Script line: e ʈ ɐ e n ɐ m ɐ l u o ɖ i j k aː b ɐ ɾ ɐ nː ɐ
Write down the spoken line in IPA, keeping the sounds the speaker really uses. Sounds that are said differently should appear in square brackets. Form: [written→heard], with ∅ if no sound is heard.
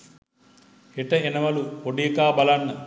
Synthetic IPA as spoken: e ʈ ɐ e n ɐ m ɐ l u o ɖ i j k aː b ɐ [ɾ→l] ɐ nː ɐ